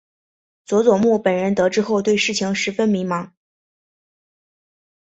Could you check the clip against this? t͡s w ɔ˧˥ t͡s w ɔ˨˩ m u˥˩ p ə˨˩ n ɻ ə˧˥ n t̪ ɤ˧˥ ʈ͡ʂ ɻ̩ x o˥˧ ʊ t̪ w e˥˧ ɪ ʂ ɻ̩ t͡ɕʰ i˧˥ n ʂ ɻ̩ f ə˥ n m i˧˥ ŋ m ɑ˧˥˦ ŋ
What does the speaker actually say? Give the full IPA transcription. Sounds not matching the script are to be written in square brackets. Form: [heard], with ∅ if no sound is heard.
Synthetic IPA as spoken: t͡s w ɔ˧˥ t͡s w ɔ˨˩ m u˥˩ p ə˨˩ n ɻ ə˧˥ n t̪ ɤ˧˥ ʈ͡ʂ ɻ̩ x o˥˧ ʊ t̪ w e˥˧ ɪ ʂ ɻ̩ t͡ɕʰ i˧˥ [ŋ] ʂ ɻ̩ f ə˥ n m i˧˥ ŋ m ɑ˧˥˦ ŋ